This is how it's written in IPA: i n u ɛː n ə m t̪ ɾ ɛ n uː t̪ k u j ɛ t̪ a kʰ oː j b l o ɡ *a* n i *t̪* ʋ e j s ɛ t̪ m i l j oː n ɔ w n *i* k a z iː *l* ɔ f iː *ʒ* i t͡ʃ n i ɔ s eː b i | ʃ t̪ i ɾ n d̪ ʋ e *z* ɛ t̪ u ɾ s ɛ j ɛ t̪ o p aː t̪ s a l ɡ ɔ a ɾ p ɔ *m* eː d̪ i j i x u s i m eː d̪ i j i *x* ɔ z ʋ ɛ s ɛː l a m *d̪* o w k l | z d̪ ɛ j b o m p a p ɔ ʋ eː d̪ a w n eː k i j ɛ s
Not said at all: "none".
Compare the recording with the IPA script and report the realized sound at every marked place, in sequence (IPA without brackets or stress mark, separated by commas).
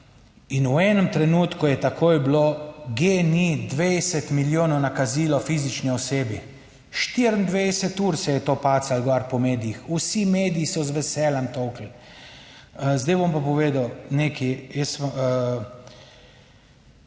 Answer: e, d̪, a, l, z, s, m, s, t̪